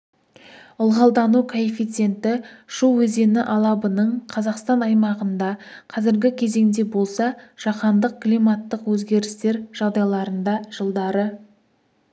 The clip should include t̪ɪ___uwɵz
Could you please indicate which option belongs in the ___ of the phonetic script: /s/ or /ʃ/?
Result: ʃ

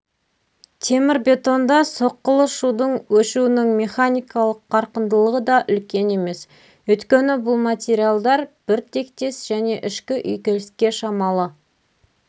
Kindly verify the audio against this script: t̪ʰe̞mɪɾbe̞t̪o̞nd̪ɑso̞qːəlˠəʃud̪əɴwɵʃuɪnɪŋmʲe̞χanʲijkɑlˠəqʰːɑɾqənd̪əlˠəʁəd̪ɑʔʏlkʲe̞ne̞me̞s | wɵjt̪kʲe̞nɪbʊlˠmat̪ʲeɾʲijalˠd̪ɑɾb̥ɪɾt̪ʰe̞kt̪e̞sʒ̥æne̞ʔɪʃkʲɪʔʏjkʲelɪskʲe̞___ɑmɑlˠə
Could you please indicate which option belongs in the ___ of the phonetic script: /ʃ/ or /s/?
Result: ʃ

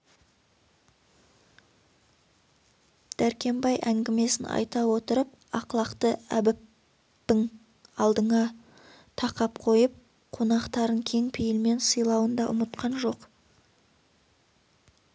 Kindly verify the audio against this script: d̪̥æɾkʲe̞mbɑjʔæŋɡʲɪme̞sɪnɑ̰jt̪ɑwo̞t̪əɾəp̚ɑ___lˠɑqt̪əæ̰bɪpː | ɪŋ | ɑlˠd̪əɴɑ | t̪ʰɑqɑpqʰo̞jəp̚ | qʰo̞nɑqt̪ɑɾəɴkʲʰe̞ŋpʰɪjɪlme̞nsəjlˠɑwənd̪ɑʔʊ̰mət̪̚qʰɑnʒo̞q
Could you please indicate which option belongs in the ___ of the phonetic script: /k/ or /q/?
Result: q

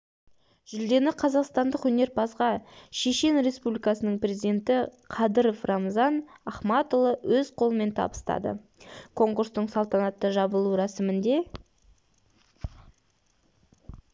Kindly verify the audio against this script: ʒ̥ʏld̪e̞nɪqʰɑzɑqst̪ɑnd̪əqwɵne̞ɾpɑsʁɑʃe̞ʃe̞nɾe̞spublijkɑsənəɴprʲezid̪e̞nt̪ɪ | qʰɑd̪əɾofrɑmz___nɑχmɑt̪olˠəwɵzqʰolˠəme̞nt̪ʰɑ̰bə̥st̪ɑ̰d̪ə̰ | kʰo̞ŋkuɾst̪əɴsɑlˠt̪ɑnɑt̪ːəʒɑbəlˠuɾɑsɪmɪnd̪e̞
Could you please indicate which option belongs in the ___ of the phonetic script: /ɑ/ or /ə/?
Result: ɑ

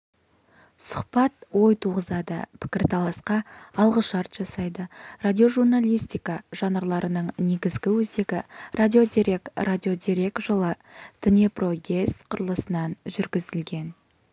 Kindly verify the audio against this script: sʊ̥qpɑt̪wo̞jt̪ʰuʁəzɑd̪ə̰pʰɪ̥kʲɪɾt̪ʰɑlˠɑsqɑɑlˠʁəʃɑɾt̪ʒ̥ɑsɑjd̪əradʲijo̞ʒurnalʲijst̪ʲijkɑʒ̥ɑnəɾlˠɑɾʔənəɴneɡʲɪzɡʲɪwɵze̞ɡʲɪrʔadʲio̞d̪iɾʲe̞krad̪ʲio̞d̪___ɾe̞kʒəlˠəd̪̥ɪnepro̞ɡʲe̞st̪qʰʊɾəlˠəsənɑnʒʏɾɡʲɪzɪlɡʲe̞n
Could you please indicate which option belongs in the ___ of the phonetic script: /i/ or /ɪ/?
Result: i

